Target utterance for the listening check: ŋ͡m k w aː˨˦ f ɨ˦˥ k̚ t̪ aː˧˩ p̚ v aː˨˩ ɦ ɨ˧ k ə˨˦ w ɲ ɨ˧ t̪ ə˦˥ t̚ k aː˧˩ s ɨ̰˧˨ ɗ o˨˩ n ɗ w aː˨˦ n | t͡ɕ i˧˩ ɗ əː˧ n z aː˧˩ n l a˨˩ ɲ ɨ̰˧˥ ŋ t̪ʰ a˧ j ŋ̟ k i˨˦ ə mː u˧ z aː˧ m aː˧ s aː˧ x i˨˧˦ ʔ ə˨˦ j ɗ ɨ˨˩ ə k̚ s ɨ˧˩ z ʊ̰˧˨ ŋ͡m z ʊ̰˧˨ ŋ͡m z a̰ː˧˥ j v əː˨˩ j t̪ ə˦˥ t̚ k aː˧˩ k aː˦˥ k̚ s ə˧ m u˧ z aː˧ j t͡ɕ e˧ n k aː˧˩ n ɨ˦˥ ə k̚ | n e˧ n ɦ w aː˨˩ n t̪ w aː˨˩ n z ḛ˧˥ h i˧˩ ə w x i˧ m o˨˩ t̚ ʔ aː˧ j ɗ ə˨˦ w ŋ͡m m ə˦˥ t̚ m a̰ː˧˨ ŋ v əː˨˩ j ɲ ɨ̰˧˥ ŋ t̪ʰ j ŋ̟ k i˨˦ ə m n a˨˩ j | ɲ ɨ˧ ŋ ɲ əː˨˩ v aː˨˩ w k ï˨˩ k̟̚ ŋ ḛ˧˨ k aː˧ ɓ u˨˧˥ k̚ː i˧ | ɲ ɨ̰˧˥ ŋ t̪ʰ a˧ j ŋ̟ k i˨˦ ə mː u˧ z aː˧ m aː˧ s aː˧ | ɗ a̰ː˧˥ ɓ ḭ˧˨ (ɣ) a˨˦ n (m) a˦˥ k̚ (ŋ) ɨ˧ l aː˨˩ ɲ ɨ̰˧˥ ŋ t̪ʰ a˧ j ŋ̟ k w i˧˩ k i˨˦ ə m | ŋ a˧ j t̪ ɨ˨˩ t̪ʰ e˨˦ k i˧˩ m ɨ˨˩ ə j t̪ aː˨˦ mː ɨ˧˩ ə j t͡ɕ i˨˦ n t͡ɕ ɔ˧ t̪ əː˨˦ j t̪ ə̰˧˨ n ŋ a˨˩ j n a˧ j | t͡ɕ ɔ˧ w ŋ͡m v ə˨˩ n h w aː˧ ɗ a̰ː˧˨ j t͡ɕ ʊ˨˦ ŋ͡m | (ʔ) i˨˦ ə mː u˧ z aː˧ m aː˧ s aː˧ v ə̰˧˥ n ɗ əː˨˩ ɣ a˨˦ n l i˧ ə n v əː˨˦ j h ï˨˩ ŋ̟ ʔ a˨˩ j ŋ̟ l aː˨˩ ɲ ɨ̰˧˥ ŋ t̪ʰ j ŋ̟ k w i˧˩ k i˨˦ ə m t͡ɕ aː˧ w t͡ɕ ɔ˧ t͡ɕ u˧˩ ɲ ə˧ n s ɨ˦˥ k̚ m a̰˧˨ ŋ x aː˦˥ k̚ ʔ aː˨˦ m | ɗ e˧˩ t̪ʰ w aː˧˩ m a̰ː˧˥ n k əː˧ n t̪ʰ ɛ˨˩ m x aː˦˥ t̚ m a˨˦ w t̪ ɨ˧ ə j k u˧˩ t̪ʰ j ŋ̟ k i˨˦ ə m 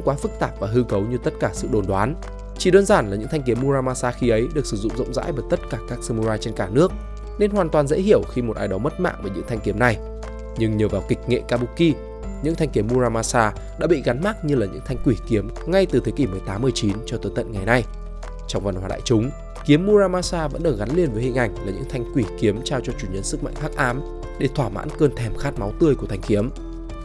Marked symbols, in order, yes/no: yes, yes, no, no

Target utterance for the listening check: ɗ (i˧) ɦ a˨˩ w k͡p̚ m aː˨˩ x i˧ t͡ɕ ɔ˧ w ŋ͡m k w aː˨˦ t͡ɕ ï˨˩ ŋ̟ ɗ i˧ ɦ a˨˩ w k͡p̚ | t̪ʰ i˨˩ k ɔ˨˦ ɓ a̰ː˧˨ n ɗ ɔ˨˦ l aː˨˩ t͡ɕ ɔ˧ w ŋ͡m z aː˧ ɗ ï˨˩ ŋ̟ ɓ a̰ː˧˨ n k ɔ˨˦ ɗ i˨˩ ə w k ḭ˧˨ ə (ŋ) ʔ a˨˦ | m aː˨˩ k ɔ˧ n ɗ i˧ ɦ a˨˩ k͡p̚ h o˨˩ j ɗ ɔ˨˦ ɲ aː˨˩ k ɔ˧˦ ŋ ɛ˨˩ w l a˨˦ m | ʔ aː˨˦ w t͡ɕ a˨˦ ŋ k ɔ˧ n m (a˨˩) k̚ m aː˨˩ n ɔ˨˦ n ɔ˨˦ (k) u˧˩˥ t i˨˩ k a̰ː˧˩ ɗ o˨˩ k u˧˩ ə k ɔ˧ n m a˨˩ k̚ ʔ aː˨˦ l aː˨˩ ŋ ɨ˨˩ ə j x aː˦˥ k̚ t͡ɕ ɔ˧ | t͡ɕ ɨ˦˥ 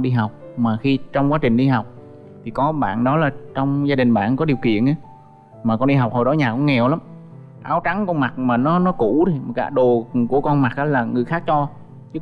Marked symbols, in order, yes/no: yes, no, yes, yes

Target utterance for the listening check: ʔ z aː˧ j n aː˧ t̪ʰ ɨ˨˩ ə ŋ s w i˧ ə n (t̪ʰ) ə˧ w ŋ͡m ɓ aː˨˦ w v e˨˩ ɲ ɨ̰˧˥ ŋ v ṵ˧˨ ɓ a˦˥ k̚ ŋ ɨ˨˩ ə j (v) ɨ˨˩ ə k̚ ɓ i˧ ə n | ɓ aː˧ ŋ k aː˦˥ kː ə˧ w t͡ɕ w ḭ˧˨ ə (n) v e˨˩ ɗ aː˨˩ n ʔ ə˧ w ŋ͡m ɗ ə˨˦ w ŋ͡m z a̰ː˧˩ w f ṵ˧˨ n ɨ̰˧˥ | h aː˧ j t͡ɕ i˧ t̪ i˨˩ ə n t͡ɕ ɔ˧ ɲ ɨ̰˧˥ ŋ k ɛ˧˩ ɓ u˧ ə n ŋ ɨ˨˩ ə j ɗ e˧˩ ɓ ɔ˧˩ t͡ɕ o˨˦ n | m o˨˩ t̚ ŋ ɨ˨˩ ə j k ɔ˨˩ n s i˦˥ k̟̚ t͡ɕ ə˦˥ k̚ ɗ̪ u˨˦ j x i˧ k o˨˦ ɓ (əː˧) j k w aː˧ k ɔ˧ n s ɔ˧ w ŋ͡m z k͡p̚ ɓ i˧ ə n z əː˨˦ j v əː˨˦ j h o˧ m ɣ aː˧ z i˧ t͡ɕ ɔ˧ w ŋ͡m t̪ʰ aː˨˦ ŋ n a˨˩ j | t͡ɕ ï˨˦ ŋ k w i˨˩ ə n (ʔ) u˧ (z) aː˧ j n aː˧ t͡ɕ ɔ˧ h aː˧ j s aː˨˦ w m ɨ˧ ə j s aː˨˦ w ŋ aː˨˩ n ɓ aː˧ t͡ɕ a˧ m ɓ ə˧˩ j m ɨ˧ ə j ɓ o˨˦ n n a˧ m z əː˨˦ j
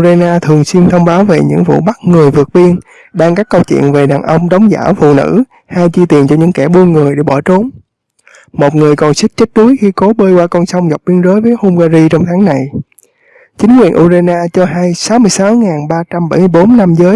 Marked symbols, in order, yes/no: yes, yes, yes, yes, yes, yes

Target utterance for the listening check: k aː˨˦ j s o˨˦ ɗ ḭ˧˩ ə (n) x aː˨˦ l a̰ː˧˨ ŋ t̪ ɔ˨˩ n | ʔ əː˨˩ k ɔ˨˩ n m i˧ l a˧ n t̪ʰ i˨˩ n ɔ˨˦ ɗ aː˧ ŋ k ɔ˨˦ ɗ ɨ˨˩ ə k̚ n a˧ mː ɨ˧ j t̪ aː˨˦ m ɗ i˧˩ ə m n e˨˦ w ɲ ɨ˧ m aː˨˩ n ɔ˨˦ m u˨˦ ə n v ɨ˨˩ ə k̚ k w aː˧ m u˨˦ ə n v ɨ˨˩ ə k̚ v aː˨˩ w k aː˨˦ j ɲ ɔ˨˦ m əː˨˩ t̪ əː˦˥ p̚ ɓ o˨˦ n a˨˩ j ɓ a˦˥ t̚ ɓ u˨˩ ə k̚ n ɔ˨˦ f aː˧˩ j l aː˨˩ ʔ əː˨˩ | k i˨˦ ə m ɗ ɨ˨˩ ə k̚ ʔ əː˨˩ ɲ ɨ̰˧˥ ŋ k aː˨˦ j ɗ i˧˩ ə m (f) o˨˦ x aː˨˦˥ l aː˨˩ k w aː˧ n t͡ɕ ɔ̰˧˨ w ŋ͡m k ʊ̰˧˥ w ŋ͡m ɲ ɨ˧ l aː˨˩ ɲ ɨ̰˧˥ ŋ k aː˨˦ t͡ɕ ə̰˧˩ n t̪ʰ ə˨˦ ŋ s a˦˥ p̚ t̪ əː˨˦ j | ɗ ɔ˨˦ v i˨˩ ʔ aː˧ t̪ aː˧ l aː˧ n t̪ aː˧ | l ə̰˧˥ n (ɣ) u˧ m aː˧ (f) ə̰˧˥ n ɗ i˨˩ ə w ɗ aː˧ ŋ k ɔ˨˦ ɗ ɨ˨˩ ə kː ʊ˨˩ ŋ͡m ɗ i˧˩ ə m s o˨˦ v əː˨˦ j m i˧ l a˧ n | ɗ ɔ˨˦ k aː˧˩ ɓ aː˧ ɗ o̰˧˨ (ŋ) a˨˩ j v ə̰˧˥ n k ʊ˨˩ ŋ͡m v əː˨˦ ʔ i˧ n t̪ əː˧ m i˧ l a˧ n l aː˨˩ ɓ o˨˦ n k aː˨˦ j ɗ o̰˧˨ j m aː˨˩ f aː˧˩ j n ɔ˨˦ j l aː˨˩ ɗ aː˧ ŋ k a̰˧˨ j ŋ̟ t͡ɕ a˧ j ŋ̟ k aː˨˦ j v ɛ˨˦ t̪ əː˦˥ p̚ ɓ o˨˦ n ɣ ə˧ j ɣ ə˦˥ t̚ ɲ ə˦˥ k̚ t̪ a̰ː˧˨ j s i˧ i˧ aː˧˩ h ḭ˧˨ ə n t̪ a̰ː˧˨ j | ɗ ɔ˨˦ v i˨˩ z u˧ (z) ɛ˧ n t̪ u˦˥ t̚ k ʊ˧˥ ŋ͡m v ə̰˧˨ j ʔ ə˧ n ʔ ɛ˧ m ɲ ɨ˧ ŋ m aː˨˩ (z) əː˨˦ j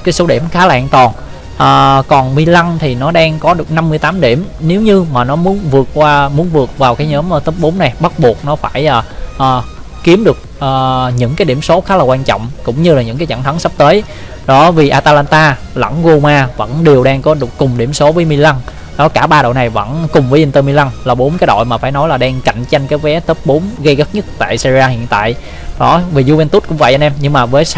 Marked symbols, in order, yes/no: no, no, yes, no, no, no, no

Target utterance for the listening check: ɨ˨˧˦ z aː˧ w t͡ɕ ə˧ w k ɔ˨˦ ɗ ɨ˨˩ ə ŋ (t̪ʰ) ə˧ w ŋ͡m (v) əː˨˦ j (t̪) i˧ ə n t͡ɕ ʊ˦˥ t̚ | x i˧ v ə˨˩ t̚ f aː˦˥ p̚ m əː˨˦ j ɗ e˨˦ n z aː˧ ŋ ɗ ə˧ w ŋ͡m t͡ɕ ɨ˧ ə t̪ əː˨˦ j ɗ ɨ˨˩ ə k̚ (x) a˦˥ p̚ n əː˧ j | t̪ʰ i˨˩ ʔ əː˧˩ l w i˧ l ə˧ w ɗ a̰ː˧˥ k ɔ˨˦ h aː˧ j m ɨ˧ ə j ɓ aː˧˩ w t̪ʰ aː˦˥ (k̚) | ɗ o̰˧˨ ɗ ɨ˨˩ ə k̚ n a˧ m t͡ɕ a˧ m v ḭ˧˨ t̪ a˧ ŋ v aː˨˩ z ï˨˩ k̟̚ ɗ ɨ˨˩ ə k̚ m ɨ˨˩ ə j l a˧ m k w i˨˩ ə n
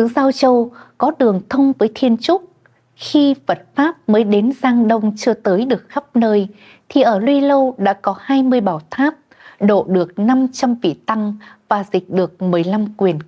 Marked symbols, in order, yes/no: yes, yes, no, yes, no

